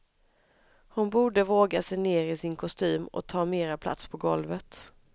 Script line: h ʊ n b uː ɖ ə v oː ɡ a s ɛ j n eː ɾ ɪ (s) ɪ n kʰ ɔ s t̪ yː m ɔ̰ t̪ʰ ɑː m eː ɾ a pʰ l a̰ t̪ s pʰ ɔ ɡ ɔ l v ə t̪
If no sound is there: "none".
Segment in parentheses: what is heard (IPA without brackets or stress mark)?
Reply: s